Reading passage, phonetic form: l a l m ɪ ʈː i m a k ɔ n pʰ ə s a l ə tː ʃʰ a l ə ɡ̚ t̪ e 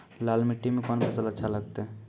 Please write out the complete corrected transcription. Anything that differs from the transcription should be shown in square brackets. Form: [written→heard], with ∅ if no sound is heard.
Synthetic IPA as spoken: l a l m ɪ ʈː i m [a→e] k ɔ n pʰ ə s [a→ə] l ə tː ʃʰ a l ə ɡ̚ t̪ e